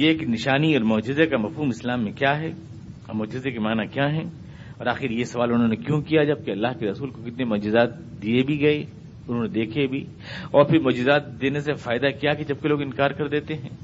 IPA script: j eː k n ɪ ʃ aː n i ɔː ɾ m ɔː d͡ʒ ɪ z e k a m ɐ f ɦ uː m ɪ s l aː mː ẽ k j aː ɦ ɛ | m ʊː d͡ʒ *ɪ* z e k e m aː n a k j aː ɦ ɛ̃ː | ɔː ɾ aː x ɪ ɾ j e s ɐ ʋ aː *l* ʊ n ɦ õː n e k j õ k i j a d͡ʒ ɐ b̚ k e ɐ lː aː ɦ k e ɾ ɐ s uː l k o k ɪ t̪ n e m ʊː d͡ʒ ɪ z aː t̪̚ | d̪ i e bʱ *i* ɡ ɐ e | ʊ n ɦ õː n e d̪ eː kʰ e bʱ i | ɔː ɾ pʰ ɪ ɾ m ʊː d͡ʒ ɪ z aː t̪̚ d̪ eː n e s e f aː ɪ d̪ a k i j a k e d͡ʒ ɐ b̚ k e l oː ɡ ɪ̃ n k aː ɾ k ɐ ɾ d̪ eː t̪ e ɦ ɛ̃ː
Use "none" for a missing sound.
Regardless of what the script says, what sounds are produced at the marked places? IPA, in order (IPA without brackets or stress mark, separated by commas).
ɪ, l, i